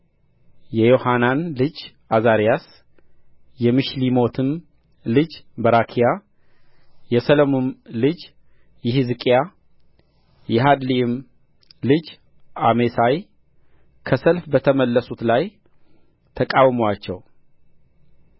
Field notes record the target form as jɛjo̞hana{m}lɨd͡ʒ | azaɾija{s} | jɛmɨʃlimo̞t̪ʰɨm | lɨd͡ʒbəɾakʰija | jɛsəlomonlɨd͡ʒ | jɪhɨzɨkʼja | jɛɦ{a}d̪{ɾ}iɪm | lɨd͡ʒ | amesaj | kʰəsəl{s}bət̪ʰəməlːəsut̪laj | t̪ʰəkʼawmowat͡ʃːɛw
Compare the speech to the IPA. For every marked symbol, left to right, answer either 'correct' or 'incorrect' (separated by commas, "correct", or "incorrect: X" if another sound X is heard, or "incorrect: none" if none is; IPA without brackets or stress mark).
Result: incorrect: n, correct, correct, incorrect: l, incorrect: f